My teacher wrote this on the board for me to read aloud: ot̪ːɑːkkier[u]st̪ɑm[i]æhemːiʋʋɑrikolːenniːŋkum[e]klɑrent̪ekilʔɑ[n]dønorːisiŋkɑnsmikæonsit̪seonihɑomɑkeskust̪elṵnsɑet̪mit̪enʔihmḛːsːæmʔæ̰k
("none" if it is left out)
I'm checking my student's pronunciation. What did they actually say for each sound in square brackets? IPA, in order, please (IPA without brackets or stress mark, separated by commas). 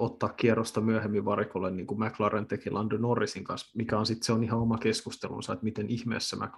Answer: o, y, æ, n